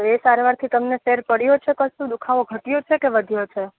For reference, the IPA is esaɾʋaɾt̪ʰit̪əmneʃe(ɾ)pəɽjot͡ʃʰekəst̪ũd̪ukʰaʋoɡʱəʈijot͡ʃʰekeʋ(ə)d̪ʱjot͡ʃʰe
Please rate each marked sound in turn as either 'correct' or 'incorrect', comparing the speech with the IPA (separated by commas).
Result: correct, correct